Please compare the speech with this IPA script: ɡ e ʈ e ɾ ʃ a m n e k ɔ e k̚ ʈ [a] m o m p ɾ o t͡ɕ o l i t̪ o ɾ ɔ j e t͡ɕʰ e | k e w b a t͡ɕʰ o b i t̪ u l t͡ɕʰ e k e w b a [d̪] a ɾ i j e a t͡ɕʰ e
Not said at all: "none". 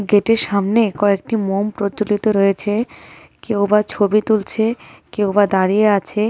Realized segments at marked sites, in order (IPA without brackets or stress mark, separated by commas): i, d̪